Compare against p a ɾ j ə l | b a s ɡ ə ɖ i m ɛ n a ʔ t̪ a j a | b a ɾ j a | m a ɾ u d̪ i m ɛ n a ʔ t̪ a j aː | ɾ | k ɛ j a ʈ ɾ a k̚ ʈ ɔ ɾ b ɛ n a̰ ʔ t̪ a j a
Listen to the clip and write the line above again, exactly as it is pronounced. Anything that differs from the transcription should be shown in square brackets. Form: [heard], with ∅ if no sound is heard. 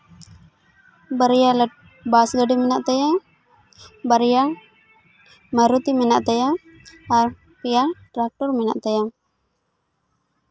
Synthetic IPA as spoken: [b] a ɾ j [a] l | b a s ɡ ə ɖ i m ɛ n a ʔ t̪ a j a | b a ɾ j a | m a ɾ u [t̪] i m ɛ n a ʔ t̪ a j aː | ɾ | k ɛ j a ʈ ɾ a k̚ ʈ ɔ ɾ [m] ɛ n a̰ ʔ t̪ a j a